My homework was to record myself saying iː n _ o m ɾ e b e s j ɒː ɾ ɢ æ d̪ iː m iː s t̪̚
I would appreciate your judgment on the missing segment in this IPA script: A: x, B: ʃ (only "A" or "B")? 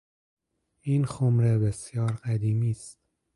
A